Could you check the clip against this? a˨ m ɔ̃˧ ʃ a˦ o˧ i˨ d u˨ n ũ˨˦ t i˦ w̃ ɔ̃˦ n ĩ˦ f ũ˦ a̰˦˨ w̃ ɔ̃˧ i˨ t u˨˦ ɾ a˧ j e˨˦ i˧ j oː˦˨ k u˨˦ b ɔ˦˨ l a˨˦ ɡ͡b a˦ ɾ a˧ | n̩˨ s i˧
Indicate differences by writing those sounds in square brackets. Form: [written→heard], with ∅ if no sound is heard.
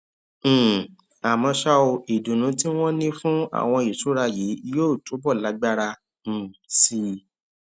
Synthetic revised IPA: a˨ m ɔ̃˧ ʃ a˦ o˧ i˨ d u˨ n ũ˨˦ t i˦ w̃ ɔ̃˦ n ĩ˦ f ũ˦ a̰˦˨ w̃ ɔ̃˧ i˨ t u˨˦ ɾ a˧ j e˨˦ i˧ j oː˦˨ [k→t] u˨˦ b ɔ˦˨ l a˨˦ ɡ͡b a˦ ɾ a˧ | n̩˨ s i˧